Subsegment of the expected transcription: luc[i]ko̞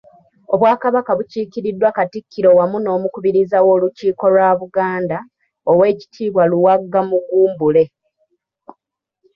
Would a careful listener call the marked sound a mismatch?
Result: yes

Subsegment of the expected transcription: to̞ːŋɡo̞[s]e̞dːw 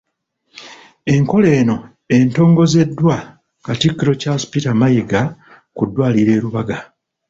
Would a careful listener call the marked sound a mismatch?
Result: yes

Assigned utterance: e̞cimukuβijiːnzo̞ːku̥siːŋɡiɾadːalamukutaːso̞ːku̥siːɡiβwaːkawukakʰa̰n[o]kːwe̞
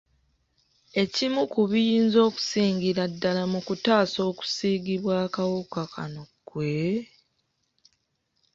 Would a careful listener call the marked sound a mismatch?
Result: no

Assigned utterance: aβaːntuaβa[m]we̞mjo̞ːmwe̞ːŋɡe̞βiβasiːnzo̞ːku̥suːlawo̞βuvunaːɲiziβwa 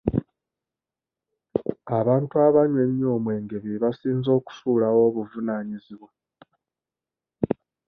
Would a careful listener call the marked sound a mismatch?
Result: yes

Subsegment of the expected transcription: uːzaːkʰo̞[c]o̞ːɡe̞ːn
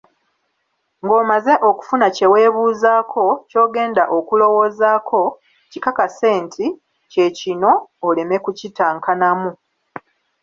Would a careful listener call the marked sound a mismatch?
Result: no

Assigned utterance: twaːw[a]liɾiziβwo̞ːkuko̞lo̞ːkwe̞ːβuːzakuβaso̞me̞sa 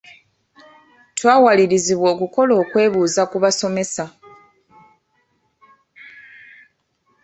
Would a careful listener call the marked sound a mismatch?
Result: no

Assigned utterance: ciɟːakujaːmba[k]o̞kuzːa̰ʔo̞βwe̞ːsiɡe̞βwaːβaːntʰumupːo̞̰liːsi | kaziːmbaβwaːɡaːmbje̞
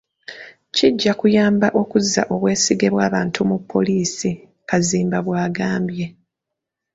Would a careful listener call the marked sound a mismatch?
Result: yes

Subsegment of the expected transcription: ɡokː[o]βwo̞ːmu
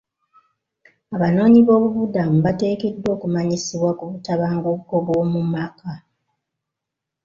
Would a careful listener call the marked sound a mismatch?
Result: no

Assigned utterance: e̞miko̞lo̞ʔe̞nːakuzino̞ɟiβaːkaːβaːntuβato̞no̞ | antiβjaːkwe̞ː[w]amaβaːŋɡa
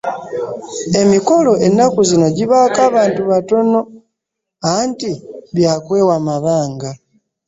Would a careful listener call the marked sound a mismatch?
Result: no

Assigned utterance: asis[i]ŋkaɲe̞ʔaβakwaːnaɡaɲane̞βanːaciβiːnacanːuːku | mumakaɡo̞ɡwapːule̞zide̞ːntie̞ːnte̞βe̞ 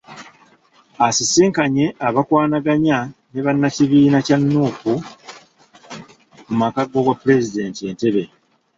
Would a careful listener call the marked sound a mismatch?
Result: yes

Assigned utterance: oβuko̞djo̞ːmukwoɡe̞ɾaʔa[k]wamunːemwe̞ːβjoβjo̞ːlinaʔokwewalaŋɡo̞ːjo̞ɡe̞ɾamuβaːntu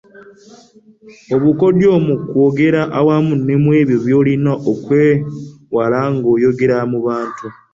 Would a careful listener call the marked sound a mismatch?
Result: yes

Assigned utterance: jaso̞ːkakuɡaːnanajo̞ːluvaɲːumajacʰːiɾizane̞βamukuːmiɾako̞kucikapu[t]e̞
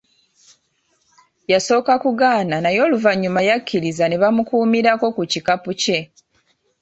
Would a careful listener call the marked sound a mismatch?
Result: yes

